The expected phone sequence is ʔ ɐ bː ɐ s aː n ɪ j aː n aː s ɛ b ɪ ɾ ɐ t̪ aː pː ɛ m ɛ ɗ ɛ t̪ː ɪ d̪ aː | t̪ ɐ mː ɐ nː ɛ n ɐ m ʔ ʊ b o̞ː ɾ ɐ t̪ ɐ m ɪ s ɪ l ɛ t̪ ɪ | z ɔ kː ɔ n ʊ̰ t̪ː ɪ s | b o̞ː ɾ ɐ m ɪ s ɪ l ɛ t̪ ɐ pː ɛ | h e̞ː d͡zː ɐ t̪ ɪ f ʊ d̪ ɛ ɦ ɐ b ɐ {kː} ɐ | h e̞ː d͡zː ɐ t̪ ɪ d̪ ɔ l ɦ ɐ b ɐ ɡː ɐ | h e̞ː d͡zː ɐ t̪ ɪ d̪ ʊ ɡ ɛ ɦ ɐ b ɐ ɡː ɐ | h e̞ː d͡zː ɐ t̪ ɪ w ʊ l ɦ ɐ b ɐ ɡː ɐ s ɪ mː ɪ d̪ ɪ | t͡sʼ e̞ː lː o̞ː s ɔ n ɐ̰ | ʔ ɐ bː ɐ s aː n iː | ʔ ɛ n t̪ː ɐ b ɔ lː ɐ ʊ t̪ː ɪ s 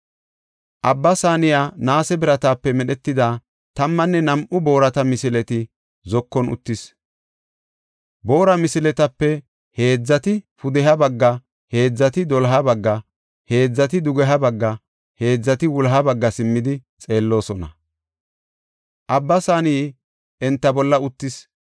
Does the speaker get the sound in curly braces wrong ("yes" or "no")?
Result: yes